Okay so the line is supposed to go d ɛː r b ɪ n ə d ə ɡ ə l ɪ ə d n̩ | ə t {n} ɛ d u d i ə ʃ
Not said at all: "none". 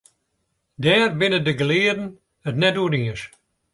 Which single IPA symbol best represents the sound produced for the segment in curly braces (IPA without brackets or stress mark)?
n